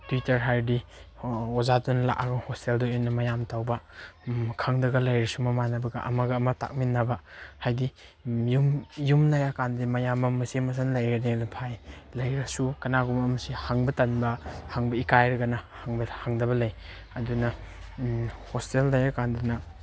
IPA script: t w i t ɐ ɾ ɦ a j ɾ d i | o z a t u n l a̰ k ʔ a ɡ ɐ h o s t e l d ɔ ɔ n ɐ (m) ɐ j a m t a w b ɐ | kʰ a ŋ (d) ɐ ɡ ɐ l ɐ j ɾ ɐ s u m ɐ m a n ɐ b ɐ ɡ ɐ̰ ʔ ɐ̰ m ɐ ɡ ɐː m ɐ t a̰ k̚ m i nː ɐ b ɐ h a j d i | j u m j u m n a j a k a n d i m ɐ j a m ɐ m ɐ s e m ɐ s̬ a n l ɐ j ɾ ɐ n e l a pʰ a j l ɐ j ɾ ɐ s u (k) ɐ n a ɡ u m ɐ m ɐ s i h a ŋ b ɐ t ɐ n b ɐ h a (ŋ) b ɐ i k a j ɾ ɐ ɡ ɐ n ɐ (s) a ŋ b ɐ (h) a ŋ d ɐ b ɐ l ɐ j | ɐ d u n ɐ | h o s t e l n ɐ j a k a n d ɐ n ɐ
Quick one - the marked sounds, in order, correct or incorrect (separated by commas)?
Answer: correct, correct, correct, correct, incorrect, correct